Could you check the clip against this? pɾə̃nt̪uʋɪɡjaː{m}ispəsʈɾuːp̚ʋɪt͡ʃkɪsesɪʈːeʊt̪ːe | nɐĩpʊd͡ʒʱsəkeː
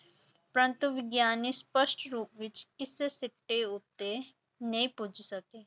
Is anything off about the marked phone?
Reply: yes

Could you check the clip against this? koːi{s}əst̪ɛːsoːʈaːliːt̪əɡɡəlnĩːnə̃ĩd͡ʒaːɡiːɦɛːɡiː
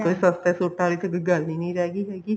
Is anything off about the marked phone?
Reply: no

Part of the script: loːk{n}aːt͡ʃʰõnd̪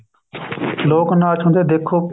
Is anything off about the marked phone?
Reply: no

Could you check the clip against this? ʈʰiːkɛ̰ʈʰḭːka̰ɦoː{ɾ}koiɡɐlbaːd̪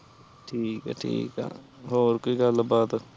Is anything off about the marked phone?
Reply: no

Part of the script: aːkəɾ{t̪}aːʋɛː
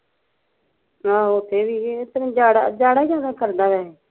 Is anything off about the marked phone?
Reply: yes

